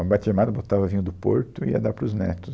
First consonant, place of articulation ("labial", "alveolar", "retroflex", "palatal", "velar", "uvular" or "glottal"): labial